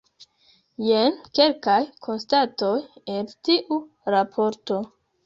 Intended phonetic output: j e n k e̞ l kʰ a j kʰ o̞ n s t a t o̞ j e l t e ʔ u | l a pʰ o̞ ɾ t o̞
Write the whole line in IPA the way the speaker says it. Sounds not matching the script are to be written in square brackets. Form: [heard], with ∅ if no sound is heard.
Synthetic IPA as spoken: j e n k e̞ l [k] a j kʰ o̞ n s t a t o̞ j e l t [i] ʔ u | [ɾ] a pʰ o̞ ɾ t o̞